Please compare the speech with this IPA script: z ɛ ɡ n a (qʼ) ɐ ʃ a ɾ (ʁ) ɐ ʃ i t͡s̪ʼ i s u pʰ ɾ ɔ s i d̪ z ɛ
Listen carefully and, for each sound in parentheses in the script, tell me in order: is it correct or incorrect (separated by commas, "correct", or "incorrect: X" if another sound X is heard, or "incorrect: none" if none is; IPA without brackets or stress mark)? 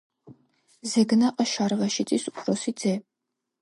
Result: correct, correct